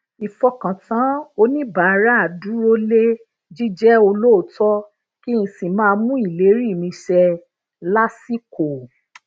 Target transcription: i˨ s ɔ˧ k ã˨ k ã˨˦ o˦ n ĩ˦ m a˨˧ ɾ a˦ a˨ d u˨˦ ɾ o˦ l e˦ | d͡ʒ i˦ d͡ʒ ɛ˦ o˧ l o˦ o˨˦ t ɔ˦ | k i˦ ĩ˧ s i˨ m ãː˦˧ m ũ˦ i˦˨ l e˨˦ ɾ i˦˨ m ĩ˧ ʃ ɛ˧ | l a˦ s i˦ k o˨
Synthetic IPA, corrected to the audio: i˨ f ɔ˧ k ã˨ t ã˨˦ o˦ n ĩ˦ b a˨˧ ɾ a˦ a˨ d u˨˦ ɾ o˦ l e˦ | d͡ʒ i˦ d͡ʒ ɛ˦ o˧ l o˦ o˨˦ t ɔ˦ | k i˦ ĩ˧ s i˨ m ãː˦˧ m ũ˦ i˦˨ l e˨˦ ɾ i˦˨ m ĩ˧ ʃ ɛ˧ | l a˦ s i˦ k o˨